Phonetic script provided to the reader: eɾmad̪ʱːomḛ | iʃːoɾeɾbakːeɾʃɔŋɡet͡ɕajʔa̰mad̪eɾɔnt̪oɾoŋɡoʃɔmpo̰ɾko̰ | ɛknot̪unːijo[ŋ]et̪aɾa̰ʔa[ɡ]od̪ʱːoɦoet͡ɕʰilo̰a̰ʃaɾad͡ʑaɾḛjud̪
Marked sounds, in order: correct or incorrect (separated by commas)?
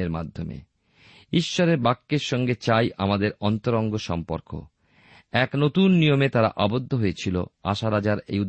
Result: incorrect, incorrect